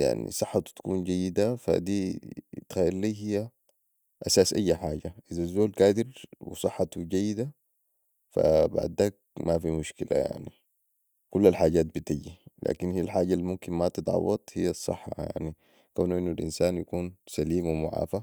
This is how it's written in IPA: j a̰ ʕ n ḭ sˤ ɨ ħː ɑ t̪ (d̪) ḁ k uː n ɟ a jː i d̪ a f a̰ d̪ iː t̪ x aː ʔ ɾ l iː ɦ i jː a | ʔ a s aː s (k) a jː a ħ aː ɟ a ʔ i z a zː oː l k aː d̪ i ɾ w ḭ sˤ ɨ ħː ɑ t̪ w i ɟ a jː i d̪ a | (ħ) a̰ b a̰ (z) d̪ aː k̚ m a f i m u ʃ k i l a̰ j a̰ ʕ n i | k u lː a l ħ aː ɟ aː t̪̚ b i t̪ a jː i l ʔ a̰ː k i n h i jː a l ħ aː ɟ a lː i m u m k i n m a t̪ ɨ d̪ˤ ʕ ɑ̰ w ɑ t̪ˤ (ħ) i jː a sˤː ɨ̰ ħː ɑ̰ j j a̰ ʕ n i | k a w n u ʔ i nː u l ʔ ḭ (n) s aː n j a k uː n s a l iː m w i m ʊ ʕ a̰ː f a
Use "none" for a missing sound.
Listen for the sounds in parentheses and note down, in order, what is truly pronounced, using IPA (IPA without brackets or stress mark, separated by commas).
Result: t̪, ʔ, f, ʕ, h, n